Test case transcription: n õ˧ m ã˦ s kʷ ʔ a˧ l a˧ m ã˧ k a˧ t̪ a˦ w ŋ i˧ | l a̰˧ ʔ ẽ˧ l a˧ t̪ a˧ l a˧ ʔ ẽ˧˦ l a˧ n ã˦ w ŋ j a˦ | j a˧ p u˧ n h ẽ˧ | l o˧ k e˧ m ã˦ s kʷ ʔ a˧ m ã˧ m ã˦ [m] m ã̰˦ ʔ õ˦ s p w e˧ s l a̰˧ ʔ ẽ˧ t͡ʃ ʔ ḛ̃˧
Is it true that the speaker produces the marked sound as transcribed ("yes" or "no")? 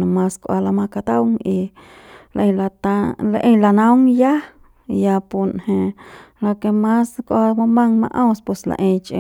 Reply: no